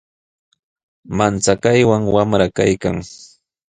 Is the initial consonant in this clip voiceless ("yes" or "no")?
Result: no